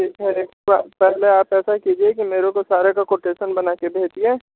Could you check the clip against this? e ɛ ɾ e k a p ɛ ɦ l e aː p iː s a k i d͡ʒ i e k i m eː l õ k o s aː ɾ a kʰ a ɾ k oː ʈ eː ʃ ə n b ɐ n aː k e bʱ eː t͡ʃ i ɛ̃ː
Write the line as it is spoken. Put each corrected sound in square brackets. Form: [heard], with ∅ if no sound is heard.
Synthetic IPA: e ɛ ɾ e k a p ɛ ɦ l e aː p [ɛː] s a k i d͡ʒ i e k i m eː [ɾ] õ k o s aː ɾ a [k] a [∅] k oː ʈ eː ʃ ə n b ɐ n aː k e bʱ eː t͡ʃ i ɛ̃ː